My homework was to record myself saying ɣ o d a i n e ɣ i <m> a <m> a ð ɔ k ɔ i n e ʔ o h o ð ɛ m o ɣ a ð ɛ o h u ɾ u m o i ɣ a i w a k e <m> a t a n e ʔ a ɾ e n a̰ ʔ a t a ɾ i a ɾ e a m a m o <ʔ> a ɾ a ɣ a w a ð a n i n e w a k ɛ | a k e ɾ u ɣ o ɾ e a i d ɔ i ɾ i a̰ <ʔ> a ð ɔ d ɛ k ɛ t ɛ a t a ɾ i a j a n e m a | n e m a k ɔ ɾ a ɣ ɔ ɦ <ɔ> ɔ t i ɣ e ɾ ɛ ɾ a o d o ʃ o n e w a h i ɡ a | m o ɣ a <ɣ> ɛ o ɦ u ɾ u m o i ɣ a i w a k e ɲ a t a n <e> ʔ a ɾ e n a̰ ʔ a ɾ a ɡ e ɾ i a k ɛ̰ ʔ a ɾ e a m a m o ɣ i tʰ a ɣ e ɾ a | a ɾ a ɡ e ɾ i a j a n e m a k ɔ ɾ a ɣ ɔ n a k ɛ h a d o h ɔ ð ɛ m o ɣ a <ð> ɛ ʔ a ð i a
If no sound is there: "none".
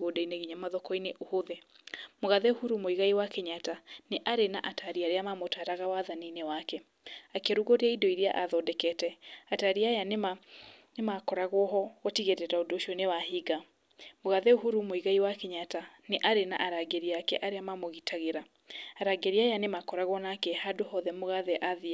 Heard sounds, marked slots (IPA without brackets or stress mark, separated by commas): ɲ, m, ɲ, t, ʔ, ɔ, ð, e, ð